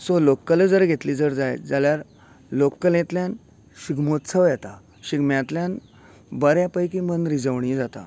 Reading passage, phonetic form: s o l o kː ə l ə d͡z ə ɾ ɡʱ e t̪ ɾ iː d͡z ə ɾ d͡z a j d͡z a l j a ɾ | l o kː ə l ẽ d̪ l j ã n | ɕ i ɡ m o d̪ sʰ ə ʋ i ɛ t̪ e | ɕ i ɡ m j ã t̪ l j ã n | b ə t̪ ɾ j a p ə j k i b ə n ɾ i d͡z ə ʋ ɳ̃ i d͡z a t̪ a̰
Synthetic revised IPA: s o l o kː ə l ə d͡z ə ɾ ɡʱ e t̪ l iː d͡z ə ɾ d͡z a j d͡z a l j a ɾ | l o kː ə l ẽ t̪ l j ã n | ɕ i ɡ m o t̪ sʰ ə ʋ j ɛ t̪ a | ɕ i ɡ m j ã t̪ l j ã n | b ə ɾ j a p ə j k i m ə n ɾ i d͡z ə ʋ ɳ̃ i d͡z a t̪ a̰